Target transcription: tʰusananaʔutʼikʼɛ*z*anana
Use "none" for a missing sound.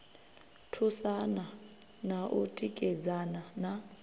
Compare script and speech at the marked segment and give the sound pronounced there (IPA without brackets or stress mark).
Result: d͡z